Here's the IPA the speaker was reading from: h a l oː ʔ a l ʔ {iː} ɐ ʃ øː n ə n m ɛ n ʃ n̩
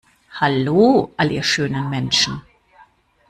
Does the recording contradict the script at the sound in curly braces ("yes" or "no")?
no